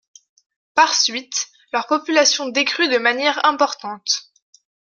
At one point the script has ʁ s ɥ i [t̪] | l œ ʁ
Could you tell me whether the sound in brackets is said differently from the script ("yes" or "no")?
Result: no